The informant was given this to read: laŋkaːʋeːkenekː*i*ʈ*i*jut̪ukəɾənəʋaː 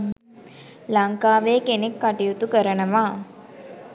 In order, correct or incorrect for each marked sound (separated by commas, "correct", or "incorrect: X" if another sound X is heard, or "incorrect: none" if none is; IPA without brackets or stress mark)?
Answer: incorrect: a, correct